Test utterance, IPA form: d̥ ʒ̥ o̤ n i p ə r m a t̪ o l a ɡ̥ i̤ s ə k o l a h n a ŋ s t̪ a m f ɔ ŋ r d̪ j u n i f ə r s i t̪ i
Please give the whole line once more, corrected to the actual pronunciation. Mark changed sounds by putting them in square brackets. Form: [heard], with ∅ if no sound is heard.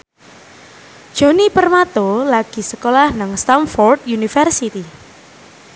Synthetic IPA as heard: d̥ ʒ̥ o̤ n i p ə r m a t̪ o l a ɡ̥ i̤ s ə k o l a h n a ŋ s t̪ a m f ɔ [∅] r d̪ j u n i f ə r s i t̪ i